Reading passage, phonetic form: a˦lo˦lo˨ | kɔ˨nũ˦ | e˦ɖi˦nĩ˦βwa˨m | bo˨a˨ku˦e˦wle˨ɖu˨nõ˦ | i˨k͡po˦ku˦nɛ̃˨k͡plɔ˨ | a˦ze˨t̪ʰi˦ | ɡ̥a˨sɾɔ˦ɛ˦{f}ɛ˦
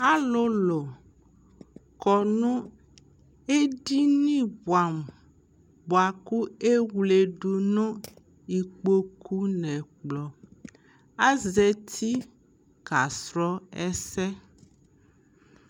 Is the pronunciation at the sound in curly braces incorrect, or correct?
incorrect